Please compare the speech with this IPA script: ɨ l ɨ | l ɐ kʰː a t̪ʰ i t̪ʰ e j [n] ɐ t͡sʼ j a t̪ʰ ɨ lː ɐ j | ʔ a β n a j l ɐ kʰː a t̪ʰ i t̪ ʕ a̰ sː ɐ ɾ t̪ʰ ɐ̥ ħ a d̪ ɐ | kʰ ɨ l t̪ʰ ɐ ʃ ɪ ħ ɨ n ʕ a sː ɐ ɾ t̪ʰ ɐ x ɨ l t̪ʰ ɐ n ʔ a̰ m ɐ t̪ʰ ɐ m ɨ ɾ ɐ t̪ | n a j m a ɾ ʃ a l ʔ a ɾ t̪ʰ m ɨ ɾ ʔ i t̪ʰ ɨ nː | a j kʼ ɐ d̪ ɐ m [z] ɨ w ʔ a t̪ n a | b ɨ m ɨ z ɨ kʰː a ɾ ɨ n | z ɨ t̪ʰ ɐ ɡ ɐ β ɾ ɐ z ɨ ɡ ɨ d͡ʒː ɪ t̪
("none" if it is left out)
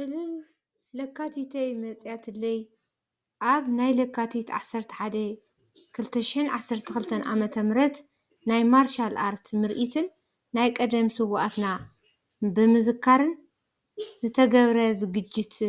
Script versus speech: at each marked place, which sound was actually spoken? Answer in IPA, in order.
m, s

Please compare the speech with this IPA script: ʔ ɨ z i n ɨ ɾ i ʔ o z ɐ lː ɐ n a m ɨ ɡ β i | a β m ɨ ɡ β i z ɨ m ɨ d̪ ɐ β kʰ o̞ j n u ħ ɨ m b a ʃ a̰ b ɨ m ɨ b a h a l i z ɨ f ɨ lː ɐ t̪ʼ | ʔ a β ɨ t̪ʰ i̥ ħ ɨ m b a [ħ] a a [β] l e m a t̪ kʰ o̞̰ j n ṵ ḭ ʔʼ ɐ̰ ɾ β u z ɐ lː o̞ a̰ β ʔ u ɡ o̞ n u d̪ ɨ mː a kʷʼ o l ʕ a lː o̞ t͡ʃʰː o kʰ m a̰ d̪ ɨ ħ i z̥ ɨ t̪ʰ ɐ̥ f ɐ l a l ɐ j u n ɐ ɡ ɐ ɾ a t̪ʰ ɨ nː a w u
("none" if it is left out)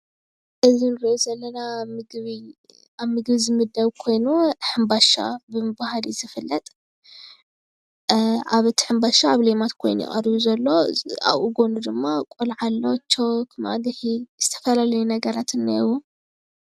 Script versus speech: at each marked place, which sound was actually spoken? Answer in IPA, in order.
ʃ, β

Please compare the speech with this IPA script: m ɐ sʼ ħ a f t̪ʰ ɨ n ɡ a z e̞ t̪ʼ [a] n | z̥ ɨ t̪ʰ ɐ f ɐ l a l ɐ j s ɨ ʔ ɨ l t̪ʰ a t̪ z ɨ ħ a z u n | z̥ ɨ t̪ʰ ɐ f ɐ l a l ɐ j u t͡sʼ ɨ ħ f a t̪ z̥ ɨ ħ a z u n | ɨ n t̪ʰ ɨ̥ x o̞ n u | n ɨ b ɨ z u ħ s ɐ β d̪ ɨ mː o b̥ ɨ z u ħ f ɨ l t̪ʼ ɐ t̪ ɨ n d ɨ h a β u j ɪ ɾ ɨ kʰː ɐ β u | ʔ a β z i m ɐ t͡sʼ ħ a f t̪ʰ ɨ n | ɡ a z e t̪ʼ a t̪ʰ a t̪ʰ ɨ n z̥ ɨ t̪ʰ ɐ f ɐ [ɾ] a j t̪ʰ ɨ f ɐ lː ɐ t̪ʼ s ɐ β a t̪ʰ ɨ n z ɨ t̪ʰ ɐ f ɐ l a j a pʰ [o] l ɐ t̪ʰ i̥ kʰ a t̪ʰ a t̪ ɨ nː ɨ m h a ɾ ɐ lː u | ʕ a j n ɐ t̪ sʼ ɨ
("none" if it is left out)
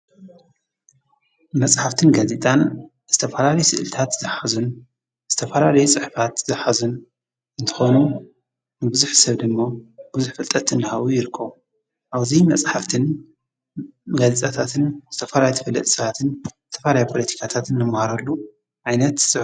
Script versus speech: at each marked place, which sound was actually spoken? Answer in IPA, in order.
a, l, o

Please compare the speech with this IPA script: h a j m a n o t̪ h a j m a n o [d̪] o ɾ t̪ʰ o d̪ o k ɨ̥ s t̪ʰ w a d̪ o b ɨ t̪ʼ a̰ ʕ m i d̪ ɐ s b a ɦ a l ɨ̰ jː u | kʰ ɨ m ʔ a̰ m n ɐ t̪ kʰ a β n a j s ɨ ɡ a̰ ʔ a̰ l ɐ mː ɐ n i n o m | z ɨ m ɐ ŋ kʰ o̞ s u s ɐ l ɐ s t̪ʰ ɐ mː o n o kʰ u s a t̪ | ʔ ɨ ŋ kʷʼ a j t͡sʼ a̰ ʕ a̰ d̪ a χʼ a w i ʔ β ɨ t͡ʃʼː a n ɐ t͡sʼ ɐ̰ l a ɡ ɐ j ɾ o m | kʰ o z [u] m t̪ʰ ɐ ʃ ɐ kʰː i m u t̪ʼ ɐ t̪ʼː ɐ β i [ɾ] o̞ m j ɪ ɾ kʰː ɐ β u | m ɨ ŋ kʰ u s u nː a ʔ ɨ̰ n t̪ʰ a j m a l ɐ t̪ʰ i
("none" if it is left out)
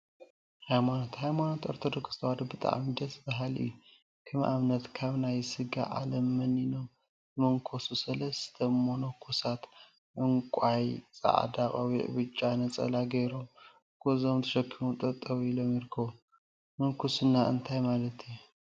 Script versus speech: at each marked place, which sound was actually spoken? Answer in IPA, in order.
t̪, o, l

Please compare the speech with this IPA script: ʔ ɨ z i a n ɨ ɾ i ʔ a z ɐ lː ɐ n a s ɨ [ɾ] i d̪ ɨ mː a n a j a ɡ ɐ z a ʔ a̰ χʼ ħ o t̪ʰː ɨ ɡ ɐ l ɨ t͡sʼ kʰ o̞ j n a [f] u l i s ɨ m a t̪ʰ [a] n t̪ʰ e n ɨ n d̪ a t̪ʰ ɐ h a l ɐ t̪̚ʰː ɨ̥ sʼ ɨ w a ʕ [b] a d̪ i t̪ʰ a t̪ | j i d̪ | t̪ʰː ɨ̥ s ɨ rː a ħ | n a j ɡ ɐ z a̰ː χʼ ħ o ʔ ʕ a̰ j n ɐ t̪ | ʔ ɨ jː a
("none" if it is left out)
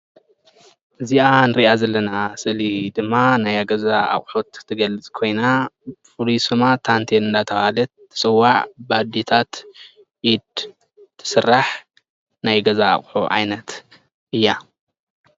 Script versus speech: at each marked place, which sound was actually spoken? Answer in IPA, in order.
l, f, a, b

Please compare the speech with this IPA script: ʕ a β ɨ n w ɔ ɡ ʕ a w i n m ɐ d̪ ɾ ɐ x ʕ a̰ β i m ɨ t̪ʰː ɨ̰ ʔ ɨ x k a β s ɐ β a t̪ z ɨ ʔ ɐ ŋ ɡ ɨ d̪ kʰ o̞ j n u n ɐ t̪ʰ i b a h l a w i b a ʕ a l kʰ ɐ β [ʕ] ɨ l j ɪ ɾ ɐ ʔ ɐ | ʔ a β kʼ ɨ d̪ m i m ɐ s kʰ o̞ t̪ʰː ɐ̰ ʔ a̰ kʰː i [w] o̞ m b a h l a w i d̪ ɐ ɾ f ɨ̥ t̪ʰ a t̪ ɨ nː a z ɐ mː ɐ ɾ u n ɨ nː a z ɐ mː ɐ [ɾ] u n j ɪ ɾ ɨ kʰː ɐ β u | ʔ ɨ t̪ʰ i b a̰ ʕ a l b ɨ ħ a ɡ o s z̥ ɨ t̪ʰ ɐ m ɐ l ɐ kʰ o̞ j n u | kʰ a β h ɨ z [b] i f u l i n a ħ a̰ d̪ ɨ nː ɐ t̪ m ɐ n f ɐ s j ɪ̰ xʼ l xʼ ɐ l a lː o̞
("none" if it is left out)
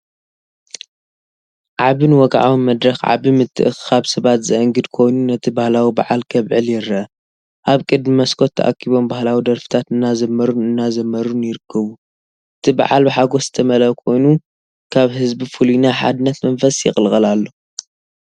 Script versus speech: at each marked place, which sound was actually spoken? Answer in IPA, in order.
ʕ, β, ɾ, b

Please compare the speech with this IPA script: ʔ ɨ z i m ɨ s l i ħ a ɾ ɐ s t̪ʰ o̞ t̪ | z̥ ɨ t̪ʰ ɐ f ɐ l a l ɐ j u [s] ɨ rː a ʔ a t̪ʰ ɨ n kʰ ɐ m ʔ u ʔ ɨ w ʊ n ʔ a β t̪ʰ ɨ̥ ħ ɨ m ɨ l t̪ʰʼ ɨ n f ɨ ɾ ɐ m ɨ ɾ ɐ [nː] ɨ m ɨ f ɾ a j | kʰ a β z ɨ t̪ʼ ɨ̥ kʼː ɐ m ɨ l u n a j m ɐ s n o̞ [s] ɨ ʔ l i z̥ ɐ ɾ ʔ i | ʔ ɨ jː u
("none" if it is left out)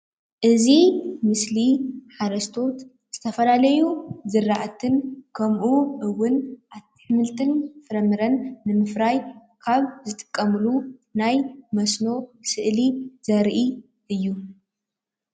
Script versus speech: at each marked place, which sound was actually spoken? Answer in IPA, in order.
z, nː, s

